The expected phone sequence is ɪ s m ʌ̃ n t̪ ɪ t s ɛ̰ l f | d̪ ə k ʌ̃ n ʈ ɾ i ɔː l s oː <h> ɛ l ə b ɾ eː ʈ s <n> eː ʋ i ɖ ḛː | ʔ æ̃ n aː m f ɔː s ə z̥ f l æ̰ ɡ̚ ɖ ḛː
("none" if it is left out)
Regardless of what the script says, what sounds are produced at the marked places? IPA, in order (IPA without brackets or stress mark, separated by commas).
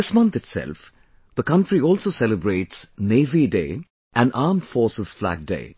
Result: s, n